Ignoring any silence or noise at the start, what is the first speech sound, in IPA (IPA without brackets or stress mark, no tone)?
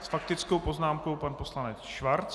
s